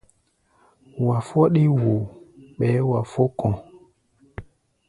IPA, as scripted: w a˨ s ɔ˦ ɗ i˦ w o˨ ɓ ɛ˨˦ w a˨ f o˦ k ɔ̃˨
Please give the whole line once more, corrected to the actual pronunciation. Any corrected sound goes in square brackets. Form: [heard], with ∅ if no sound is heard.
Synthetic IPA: w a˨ [f] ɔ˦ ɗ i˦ w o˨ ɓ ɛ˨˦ w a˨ f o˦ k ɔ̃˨